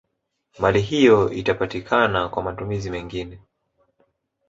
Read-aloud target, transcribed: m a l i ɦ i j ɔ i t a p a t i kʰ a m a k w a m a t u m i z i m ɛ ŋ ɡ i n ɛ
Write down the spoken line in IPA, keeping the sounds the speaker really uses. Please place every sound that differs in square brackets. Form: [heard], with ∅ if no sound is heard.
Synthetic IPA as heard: m a l i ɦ i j ɔ i t a p a t i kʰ a [n] a k w a m a t u m i z i m ɛ ŋ ɡ i n ɛ

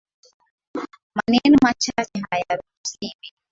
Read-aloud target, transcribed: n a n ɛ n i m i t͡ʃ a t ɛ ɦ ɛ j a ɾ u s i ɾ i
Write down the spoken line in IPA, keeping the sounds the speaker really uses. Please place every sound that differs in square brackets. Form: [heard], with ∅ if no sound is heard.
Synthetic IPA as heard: [m] a n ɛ n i m [a] t͡ʃ a [t͡ʃ] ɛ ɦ [a] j a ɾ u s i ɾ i

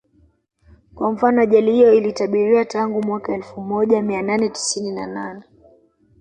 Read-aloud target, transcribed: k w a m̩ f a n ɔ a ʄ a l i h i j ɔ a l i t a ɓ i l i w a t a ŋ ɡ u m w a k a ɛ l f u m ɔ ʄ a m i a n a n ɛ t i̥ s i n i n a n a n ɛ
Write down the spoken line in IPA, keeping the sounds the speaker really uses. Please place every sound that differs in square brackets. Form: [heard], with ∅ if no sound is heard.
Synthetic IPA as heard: k w a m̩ f a n ɔ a ʄ a l i h i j ɔ [i] l i t a ɓ i [ɾ] i w a t a ŋ ɡ u m w a k a ɛ l f u m ɔ ʄ a m i a n a n ɛ t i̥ s i n i n a n a n ɛ

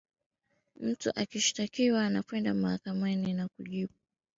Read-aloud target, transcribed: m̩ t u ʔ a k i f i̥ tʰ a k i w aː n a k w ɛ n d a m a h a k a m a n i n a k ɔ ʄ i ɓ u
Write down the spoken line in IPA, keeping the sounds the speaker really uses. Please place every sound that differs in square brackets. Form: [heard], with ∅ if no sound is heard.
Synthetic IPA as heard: m̩ t u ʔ a k i [ʃ] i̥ [t] a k i w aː n a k w ɛ n d a m a h a k a m a n i n a k [u] ʄ i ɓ u

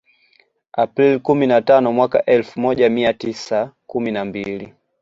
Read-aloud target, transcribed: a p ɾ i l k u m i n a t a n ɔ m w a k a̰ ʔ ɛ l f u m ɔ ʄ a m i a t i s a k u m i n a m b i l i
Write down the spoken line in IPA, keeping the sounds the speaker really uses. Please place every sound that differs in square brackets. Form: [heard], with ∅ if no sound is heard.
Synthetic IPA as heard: a p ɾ i l k u m i n a t a n ɔ m w a k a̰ ʔ ɛ l f u m ɔ ʄ a m i a t i s a k u m i n a m b i l i

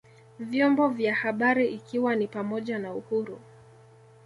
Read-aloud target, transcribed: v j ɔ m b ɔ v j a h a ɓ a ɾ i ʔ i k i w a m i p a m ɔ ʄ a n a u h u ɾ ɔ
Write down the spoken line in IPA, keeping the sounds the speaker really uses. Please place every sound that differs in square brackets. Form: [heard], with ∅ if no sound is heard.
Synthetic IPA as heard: v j ɔ m b ɔ v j a h a ɓ a ɾ i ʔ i k i w a [n] i p a m ɔ ʄ a n a u h u ɾ [u]

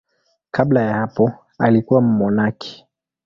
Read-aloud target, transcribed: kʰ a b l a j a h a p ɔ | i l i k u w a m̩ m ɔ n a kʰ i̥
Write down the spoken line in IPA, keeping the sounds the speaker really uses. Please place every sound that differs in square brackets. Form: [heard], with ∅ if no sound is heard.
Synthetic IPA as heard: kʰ a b l a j a h a p ɔ | [a] l i k u w a m̩ m ɔ n a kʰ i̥

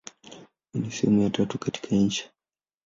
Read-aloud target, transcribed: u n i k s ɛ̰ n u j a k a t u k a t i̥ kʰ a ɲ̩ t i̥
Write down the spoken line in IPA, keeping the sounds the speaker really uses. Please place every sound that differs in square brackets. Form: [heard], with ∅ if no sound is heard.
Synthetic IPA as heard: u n i [∅] s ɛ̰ [m] u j a [t] a t u k a t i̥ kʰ a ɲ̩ [t͡ʃ] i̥

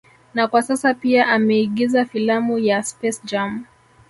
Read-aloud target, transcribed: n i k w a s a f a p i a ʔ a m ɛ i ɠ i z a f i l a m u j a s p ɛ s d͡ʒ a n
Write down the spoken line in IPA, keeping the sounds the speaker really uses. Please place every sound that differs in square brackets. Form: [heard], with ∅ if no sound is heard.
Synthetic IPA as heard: n [a] k w a s a [s] a p i a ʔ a m ɛ i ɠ i z a f i l a m u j a s p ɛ s d͡ʒ a [m]

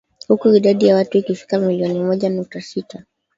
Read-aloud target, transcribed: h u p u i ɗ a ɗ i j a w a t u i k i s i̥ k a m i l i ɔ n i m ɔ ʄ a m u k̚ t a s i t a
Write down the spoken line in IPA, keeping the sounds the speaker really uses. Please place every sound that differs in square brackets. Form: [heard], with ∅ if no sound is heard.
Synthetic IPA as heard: h u [k] u i ɗ a ɗ i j a w a t u i k i [f] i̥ k a m i l i ɔ n i m ɔ ʄ a [n] u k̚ t a s i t a

